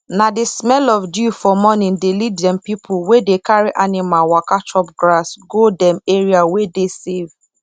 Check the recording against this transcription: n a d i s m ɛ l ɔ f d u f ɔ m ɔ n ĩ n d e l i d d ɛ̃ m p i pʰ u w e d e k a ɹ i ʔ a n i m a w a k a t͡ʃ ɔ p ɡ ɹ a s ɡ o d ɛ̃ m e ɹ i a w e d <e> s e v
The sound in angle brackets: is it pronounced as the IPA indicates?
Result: yes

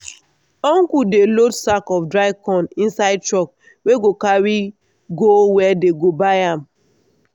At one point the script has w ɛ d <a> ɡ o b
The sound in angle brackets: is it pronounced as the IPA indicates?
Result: no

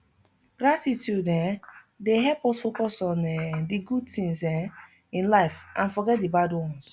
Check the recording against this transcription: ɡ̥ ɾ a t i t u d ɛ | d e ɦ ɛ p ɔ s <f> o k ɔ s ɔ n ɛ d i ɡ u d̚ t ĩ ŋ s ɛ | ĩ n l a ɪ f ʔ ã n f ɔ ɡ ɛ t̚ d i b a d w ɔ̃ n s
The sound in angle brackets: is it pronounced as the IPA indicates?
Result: yes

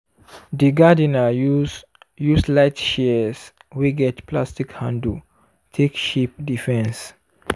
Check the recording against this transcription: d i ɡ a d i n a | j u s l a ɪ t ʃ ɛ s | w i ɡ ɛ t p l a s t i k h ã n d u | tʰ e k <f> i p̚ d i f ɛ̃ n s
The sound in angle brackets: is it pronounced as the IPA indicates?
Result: no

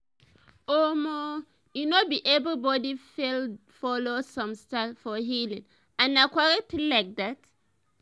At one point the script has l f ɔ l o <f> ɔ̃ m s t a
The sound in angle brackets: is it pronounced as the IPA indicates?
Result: no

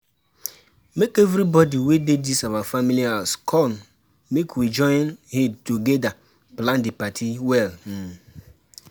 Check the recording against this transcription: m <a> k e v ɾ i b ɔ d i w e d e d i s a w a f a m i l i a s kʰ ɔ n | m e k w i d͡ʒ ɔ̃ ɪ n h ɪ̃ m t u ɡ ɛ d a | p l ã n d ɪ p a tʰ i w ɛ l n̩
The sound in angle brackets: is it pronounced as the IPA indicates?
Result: no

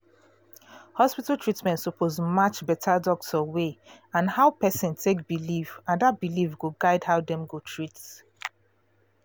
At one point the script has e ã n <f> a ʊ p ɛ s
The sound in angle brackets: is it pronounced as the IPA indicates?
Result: no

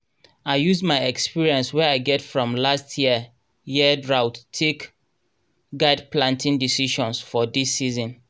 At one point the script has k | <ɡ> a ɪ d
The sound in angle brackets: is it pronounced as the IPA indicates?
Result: yes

